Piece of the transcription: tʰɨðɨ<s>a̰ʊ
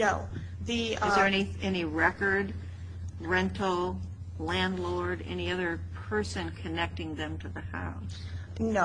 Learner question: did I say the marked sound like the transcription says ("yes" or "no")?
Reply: no